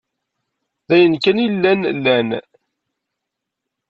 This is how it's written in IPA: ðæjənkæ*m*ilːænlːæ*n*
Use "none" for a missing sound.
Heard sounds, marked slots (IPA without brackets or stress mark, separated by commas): n, n